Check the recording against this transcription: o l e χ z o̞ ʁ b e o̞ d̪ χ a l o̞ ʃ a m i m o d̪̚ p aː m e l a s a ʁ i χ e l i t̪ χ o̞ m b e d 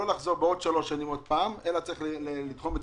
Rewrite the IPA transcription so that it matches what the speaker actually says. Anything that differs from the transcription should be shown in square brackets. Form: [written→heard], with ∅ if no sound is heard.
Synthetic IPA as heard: o l [e→a] χ z o̞ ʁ b e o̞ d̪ [χ→ʃ] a l o̞ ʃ a [m→n] i m o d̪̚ p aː m e l a [s→t͡s] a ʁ i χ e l i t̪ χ o̞ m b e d